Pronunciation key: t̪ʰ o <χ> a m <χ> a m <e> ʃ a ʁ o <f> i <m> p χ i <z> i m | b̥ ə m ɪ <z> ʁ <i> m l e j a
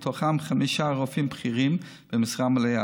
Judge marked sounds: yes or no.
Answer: yes, yes, no, yes, yes, no, no, no

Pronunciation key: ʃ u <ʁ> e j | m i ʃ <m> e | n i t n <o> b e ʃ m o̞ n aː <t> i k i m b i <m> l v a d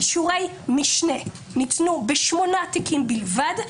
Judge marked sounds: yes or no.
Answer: yes, no, no, yes, no

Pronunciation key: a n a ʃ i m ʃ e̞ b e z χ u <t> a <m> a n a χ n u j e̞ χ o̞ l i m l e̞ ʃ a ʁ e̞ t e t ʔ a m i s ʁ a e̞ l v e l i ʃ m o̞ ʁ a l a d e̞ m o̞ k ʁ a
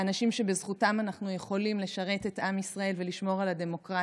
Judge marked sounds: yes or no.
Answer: yes, yes

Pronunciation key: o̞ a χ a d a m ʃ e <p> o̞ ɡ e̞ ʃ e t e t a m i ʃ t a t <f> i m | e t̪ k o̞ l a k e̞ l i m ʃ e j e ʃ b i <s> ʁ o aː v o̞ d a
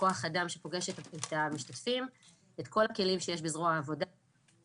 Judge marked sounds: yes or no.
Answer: yes, yes, no

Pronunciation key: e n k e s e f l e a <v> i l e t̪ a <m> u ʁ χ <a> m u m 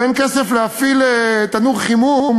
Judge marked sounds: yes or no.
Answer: no, no, no

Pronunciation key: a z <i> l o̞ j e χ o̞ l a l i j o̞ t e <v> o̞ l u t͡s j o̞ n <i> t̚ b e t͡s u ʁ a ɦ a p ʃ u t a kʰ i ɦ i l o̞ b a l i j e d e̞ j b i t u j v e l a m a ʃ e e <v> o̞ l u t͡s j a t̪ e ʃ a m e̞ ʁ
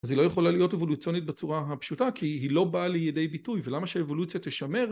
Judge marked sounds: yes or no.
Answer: yes, yes, yes, yes

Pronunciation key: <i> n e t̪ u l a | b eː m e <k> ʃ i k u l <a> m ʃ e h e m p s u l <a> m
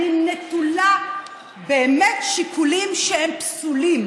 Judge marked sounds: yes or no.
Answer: yes, no, no, no

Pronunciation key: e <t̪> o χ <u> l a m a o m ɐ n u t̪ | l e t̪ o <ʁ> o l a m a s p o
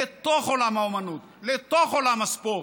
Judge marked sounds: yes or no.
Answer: yes, no, no

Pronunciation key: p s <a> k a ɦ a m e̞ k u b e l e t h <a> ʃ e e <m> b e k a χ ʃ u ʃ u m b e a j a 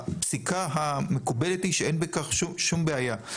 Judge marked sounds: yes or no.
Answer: no, no, no

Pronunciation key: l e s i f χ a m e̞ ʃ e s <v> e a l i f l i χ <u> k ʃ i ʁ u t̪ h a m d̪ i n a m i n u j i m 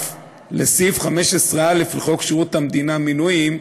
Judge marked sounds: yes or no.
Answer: no, no

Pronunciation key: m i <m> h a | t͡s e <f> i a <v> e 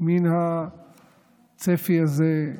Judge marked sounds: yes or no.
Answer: no, yes, no

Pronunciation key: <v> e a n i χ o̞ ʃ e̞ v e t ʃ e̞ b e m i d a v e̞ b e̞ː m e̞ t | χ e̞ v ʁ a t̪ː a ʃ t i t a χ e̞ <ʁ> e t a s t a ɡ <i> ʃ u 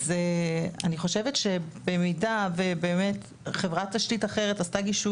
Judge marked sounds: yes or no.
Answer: no, yes, yes

